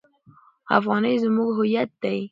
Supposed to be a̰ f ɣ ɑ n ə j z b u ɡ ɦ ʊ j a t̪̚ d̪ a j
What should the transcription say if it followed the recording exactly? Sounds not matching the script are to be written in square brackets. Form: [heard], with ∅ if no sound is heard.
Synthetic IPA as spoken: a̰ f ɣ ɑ n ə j z [m] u ɡ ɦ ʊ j a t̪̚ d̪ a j